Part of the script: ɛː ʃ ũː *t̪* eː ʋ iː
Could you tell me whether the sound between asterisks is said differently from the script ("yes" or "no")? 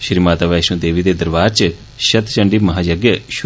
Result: yes